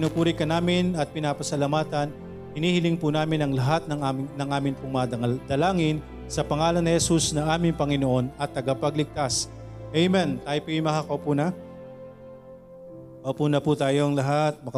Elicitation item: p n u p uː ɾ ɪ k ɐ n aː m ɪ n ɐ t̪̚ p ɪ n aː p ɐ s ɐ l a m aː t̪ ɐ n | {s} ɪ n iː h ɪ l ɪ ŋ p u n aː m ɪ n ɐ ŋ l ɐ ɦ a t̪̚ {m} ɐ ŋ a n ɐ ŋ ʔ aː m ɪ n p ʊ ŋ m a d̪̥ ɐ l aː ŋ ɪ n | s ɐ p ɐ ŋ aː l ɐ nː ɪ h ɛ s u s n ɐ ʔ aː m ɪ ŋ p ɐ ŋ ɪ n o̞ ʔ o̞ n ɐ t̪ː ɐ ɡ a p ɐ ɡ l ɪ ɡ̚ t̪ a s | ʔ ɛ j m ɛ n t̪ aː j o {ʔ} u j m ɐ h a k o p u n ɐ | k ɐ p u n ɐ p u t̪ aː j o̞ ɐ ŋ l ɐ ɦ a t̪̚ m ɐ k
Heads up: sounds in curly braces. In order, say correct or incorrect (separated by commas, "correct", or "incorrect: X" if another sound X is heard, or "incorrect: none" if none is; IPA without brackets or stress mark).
incorrect: h, incorrect: n, incorrect: p